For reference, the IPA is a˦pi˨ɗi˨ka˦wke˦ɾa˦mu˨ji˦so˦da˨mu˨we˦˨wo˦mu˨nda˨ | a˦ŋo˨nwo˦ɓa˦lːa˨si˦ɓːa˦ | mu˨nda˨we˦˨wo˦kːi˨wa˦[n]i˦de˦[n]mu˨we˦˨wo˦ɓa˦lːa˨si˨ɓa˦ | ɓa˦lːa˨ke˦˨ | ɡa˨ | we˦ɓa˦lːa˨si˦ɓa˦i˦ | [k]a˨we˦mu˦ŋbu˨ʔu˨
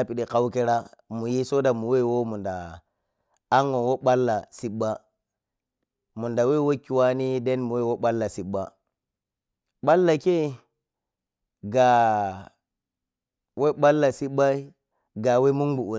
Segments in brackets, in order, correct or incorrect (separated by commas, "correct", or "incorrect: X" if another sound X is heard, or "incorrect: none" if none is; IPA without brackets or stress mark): correct, correct, incorrect: ɡ